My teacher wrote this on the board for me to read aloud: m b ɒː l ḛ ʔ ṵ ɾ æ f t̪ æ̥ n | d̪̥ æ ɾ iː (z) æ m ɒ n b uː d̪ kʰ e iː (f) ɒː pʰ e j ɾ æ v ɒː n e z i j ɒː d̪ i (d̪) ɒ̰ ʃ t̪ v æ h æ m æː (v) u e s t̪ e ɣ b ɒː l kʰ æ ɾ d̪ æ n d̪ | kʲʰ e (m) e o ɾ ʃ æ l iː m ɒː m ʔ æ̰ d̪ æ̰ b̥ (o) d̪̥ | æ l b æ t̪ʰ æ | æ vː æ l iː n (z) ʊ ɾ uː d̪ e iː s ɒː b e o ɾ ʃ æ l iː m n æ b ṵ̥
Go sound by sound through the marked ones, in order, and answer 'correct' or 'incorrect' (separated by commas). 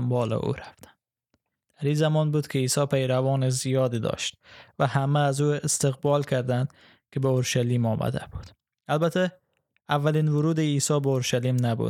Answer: correct, incorrect, correct, incorrect, incorrect, incorrect, incorrect